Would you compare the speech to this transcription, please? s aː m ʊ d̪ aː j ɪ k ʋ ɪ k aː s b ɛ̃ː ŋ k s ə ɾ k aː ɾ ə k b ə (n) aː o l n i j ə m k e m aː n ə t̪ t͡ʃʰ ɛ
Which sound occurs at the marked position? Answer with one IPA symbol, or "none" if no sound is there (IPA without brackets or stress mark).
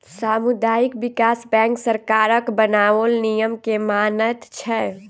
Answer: n